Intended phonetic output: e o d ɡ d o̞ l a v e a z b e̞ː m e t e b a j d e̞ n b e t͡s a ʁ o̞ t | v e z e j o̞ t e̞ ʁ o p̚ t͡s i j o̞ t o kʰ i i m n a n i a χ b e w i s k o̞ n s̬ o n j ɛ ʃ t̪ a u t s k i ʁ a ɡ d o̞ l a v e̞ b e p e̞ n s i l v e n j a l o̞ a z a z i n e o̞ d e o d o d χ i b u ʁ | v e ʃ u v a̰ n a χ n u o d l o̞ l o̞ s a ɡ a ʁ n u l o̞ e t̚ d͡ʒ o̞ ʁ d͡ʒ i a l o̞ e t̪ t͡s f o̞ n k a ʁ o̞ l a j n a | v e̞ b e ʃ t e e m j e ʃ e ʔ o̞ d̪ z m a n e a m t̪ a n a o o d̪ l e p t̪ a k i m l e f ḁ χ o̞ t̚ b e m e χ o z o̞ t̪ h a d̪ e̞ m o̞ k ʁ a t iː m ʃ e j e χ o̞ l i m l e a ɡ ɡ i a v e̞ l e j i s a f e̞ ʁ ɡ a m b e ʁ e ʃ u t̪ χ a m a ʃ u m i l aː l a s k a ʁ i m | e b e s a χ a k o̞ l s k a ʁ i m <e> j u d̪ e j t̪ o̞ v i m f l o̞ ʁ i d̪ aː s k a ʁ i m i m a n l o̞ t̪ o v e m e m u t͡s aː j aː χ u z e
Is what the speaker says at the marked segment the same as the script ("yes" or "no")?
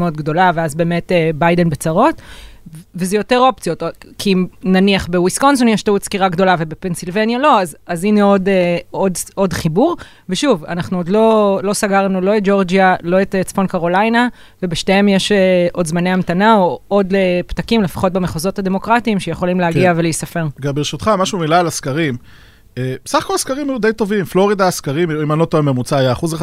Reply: no